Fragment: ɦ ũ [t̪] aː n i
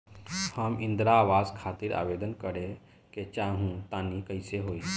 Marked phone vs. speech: correct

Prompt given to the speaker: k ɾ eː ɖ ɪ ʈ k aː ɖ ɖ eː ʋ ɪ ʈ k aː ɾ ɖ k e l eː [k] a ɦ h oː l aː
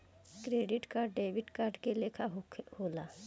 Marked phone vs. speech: incorrect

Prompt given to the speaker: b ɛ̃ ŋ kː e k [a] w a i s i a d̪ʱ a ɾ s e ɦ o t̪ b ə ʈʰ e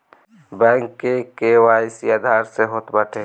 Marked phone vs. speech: incorrect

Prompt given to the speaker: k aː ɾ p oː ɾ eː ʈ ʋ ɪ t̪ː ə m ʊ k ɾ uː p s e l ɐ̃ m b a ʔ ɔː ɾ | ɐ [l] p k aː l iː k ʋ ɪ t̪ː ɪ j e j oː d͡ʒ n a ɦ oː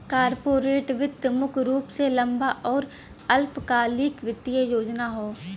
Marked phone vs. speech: correct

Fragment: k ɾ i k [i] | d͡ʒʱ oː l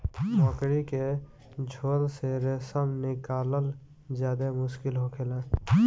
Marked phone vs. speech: incorrect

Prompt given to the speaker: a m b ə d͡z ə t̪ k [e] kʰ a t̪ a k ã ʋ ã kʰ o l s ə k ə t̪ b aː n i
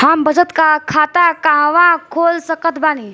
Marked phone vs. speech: incorrect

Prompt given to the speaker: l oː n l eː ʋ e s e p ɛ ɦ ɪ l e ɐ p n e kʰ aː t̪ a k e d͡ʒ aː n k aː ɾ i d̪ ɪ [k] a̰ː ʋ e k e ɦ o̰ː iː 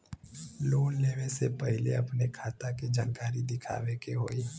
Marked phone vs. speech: incorrect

